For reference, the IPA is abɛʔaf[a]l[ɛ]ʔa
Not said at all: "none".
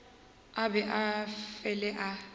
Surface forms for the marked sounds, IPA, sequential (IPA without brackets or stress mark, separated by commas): ɛ, ɛ